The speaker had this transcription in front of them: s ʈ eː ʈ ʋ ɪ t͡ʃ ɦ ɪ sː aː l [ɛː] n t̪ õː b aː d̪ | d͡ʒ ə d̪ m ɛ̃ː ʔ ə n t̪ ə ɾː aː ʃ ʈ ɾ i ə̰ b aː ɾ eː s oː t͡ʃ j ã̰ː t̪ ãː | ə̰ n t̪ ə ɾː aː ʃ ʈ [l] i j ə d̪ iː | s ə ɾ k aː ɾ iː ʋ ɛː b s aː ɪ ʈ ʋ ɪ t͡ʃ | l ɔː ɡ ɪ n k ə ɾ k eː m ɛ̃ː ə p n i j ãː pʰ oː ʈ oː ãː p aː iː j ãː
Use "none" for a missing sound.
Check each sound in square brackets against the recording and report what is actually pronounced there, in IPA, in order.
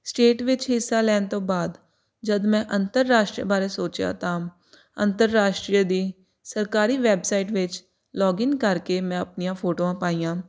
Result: ɛː, ɾ

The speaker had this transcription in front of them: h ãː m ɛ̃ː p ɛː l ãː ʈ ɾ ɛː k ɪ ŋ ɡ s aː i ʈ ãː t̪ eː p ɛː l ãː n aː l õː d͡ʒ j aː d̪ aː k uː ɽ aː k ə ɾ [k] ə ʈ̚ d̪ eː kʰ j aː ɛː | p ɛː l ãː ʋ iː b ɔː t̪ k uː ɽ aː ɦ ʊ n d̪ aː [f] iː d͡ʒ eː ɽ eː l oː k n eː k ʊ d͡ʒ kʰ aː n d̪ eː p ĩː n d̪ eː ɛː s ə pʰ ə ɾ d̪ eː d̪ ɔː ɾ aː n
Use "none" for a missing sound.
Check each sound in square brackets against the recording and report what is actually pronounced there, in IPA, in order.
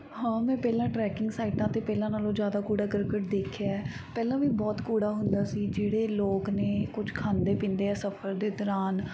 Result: k, s

